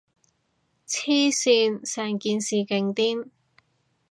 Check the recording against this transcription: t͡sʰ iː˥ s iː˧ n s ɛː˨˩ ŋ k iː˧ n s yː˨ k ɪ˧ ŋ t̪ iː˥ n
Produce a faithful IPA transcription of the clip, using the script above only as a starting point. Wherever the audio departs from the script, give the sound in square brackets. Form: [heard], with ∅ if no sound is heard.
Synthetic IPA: t͡sʰ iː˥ s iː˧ n s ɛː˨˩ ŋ k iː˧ n s [iː˨] k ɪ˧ ŋ t̪ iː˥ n